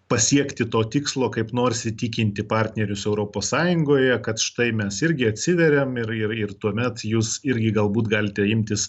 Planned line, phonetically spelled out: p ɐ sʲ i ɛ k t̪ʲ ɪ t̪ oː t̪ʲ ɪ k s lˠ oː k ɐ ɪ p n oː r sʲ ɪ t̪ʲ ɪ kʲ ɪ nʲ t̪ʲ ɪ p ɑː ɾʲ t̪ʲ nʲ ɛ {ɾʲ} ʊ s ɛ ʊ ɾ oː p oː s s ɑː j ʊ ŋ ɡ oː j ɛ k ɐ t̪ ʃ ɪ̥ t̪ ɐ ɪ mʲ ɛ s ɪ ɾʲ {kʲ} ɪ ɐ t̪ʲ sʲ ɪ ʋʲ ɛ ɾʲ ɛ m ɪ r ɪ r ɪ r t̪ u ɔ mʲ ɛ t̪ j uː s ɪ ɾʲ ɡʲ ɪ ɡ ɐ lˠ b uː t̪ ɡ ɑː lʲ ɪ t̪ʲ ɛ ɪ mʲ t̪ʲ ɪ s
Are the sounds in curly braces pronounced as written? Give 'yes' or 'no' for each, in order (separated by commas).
yes, no